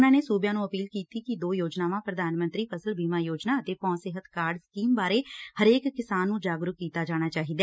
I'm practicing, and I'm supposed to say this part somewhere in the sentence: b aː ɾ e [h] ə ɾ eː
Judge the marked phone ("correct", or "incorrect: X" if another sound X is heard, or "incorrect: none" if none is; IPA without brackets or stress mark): correct